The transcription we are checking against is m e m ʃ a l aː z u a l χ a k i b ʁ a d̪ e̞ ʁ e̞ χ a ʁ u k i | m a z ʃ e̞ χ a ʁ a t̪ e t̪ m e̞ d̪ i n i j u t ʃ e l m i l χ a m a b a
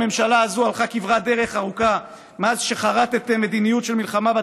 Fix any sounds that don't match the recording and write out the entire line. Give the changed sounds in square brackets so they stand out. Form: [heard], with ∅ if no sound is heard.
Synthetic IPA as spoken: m e m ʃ a l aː z u a l χ a k i [v] ʁ a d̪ e̞ ʁ e̞ χ a ʁ u k [a] | m a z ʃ e̞ χ a ʁ a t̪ e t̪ m e̞ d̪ i n i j u t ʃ e l m i l χ a m a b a